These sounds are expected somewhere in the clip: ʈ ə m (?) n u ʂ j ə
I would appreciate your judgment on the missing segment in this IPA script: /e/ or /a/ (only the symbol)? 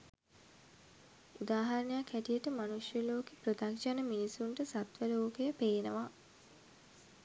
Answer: a